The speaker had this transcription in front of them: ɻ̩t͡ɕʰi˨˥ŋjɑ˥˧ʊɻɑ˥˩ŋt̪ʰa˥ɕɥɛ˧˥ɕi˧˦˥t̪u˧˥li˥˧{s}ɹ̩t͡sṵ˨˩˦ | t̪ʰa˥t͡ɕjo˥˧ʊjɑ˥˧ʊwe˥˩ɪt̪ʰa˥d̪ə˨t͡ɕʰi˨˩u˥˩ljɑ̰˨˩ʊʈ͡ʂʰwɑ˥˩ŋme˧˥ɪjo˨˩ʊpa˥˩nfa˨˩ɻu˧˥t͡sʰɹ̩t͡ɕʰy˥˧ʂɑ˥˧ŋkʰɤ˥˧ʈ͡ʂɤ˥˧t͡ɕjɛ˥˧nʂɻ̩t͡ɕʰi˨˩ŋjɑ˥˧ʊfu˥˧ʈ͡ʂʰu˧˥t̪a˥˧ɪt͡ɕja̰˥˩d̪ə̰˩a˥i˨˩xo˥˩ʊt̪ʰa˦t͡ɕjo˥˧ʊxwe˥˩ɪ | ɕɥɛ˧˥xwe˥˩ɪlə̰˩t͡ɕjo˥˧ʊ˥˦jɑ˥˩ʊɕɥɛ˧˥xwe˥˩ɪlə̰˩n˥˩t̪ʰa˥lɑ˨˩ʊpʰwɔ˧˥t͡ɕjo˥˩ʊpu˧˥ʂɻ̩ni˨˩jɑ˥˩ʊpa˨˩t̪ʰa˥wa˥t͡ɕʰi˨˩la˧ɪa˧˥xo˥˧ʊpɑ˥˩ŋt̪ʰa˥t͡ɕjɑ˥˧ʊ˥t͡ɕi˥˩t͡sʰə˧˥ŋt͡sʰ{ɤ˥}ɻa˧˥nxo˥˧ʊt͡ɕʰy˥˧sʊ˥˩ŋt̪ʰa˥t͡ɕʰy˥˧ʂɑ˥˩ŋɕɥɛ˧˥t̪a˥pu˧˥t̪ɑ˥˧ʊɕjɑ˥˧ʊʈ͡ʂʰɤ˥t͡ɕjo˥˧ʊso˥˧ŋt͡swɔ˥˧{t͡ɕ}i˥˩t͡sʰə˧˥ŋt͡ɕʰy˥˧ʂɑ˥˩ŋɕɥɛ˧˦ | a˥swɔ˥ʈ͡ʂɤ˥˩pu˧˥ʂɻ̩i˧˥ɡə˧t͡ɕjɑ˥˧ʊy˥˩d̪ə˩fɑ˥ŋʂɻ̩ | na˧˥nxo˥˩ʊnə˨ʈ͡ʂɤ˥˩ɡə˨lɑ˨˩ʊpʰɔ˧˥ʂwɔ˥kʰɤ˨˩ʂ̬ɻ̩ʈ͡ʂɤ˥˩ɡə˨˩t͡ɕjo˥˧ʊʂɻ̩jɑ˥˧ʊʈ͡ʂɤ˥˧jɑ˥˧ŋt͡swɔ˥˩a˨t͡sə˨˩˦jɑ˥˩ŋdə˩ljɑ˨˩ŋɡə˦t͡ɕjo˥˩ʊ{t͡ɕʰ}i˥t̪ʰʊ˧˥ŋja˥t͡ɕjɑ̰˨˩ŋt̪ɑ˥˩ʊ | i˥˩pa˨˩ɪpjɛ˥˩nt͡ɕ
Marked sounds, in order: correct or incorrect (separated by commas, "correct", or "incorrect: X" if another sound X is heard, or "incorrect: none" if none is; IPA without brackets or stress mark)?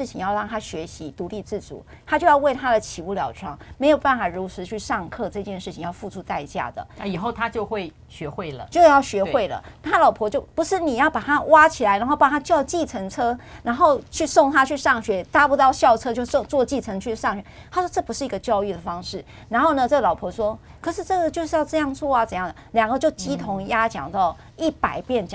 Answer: incorrect: t͡s, correct, correct, incorrect: t͡ɕ